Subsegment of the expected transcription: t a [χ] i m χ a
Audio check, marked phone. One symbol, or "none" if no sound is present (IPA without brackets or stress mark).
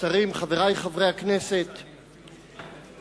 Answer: ʁ